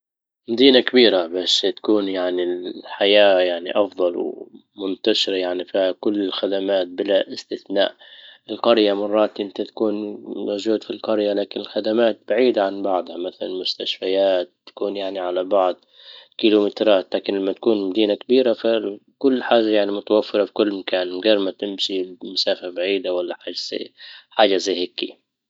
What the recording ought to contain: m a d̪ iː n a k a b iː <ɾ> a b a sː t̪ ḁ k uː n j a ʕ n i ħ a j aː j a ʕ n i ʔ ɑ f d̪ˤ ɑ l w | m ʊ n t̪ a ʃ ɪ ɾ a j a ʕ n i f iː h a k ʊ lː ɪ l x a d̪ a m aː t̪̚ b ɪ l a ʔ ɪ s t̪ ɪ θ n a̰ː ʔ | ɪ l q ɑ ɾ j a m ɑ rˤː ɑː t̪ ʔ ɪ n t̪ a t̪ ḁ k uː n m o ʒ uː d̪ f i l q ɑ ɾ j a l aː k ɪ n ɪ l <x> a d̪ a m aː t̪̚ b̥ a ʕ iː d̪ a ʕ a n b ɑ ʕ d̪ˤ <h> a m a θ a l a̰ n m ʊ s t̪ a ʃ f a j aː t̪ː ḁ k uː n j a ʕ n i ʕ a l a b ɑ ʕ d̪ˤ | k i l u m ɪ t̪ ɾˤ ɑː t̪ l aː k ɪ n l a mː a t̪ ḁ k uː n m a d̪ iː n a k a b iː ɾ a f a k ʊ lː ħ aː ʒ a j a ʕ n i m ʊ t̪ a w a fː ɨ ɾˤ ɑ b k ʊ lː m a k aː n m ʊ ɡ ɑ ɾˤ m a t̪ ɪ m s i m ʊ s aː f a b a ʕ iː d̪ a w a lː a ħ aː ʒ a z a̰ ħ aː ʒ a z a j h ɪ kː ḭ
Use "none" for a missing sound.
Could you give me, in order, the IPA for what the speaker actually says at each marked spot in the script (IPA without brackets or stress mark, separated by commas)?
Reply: ɾ, x, h